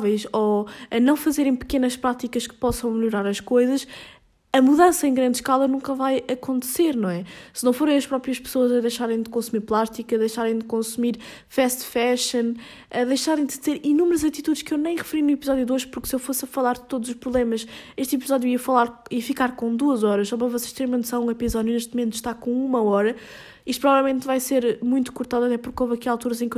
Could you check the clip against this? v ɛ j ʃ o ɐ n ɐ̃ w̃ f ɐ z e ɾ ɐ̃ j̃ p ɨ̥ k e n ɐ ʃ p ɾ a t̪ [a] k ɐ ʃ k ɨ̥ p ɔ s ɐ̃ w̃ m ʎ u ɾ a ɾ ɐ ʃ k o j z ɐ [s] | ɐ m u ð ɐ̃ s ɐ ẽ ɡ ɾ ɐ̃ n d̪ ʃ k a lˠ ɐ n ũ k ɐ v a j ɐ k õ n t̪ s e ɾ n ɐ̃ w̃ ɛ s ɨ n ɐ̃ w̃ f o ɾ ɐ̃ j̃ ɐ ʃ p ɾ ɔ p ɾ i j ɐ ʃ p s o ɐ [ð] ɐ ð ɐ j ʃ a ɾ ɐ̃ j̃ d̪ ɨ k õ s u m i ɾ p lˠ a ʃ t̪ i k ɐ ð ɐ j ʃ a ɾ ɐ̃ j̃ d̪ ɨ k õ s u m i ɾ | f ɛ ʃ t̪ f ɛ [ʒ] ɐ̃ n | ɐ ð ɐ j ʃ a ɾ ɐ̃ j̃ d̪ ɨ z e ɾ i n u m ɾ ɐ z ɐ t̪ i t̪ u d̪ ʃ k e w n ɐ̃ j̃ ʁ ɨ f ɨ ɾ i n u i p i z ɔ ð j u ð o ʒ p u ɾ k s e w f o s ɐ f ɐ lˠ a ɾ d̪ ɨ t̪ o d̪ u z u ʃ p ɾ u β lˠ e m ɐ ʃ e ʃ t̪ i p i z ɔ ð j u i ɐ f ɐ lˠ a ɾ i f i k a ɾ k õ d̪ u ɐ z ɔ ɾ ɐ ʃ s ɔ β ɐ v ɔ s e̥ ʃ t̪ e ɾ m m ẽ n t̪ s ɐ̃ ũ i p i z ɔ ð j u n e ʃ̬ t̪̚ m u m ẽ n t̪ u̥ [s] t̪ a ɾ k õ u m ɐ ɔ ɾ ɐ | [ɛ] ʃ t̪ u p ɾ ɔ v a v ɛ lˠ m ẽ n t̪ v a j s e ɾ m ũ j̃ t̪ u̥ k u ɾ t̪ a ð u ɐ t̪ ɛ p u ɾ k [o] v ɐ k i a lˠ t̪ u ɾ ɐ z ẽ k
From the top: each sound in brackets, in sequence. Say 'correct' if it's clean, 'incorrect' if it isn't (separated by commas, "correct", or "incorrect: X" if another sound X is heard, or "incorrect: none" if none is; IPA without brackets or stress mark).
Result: incorrect: i, incorrect: ʃ, incorrect: z, incorrect: ʃ, incorrect: ʃ, incorrect: i, correct